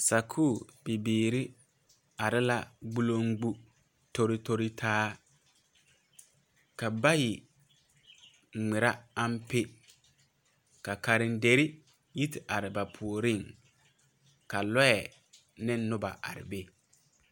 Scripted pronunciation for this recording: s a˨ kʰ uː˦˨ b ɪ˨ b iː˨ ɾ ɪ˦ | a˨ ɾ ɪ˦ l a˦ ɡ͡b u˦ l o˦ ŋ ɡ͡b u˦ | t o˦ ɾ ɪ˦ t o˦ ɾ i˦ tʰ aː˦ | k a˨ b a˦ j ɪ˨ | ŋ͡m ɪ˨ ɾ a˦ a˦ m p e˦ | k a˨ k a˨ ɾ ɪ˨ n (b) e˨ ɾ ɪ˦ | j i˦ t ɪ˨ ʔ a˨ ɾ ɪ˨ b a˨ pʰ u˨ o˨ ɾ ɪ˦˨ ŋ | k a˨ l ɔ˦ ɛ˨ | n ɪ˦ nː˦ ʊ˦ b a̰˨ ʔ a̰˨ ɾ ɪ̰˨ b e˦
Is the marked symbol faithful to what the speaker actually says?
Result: no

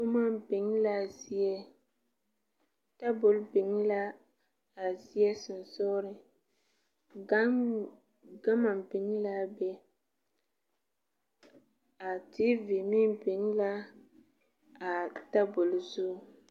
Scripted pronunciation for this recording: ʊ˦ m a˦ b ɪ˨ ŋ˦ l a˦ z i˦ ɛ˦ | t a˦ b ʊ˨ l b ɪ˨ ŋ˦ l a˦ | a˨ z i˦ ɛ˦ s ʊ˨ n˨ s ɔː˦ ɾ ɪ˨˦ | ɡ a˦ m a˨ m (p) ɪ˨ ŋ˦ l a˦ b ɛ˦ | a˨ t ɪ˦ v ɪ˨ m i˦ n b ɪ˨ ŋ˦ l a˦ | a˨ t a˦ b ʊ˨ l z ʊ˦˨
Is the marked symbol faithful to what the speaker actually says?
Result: no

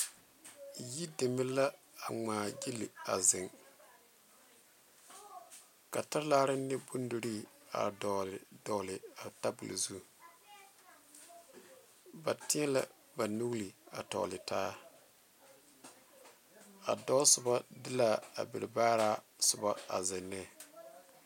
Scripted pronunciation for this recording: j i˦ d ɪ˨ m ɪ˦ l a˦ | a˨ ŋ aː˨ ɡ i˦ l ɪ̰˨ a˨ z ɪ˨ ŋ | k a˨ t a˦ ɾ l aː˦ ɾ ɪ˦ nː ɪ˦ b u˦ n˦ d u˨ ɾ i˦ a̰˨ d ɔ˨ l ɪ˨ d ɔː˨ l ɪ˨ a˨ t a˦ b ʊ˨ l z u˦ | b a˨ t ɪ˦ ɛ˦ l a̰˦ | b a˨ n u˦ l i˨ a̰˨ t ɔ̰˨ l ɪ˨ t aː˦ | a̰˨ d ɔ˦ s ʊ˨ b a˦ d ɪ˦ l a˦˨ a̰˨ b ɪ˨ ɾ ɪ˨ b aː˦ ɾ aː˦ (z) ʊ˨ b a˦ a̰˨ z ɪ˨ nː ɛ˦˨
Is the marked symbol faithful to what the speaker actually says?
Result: no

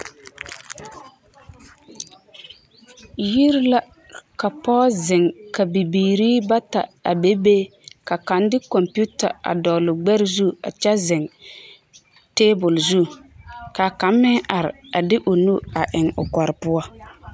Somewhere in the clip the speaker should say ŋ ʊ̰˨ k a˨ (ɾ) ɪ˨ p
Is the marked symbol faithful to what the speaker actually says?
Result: yes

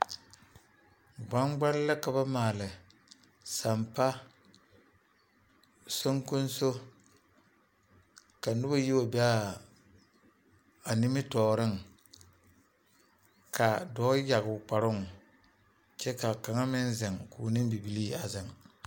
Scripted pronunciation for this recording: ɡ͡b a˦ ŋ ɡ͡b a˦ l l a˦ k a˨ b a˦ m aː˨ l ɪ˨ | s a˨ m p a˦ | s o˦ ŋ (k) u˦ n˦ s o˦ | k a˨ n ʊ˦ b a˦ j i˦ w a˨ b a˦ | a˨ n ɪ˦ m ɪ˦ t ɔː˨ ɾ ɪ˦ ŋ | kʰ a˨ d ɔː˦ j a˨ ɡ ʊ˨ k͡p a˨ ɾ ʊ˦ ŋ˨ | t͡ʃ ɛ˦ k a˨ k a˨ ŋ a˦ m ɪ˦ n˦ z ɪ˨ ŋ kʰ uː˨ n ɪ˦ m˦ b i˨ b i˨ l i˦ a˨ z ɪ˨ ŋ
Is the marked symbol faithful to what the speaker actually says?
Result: yes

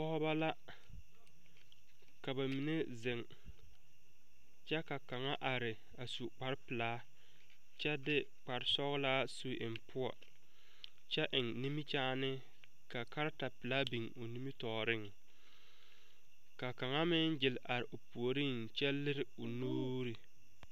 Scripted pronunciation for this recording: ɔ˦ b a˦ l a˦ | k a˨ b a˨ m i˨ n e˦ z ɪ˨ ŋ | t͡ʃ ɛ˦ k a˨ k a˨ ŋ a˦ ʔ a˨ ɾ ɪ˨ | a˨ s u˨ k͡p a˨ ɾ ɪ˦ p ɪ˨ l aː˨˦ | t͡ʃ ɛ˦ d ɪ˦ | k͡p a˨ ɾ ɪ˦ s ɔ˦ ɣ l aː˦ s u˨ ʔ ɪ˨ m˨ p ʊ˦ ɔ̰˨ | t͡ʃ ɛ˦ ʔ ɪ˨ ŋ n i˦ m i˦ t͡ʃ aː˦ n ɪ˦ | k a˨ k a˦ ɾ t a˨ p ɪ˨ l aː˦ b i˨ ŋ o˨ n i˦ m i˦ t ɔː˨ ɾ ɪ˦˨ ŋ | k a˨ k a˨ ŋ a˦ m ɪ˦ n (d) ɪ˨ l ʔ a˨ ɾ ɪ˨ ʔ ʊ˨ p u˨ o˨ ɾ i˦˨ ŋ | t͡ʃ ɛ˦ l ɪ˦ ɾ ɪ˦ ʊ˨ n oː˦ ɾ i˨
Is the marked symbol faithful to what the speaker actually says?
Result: no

